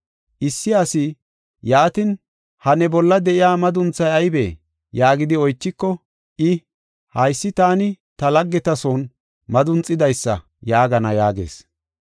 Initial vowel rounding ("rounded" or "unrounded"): unrounded